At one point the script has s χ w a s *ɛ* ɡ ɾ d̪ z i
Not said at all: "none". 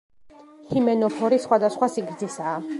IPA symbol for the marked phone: i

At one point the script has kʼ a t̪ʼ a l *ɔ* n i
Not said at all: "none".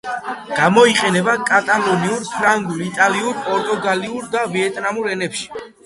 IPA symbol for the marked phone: ɔ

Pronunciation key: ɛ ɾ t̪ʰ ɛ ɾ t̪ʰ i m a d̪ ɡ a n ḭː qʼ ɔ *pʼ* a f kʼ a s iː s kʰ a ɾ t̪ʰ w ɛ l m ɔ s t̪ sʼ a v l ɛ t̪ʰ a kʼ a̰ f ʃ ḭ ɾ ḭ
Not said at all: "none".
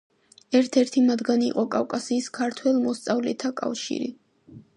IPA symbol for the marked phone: kʼ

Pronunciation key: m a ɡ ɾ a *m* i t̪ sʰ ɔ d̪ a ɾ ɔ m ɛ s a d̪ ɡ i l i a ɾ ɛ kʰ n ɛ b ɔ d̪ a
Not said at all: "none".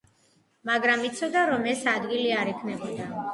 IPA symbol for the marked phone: m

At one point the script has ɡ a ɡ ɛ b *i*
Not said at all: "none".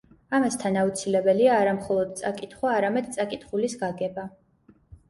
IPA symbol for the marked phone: a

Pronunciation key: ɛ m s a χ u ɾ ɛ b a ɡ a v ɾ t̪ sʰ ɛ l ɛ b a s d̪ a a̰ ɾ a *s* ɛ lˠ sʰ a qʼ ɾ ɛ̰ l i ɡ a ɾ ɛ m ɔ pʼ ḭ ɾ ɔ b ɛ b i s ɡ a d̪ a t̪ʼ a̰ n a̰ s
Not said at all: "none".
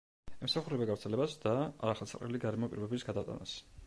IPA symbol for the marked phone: χ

